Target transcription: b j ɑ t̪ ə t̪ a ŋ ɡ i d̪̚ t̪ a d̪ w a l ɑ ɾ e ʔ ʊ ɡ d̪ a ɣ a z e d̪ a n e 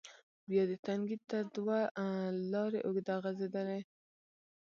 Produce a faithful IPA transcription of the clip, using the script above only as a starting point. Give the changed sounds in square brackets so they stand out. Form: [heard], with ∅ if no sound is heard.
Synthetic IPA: b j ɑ [d̪] ə t̪ a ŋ ɡ i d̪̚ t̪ a d̪ w a l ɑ ɾ e ʔ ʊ ɡ d̪ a ɣ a z e d̪ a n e